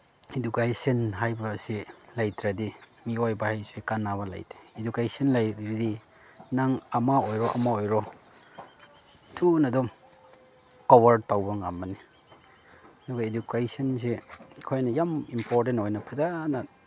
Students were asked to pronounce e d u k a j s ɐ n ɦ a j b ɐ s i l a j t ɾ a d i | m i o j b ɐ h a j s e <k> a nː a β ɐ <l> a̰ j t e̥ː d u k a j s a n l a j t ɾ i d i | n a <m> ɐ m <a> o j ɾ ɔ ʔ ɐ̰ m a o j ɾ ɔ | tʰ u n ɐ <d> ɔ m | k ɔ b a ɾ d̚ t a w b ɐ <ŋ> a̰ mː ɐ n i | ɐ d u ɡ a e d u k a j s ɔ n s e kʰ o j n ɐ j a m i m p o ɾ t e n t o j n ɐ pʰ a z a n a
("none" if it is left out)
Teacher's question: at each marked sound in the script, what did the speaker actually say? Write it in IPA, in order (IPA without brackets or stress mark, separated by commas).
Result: k, l, ŋ, a, d, ŋ